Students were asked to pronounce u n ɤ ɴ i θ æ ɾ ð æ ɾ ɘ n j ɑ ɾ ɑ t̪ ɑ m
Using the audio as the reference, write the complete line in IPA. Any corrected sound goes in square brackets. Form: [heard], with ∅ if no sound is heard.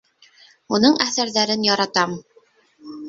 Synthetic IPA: u n ɤ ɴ [æ] θ æ ɾ ð æ ɾ ɘ n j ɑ ɾ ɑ t̪ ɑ m